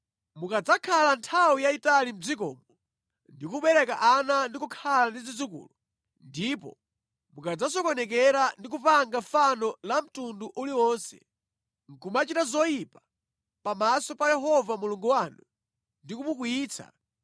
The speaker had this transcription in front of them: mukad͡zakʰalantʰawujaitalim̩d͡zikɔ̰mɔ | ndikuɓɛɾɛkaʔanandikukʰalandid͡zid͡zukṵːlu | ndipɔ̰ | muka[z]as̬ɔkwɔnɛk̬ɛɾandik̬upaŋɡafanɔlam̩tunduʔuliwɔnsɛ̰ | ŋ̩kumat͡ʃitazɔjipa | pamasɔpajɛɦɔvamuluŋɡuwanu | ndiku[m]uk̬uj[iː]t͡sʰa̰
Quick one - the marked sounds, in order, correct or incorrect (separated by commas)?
incorrect, correct, correct